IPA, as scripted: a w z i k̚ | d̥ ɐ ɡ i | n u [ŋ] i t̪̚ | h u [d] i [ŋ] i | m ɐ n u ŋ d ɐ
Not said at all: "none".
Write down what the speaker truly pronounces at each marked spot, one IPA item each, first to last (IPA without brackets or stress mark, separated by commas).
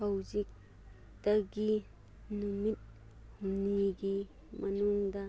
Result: m, n, ɡ